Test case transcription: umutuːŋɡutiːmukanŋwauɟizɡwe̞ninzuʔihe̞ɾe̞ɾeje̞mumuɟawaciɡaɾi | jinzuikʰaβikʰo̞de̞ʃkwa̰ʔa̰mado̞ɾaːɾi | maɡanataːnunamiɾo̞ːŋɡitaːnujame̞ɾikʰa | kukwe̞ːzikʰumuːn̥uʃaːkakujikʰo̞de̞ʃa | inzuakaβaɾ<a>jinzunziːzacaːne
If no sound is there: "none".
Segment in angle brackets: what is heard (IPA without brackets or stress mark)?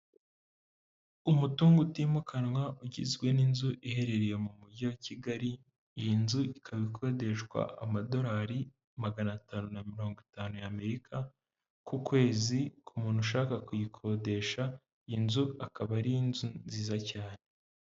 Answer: i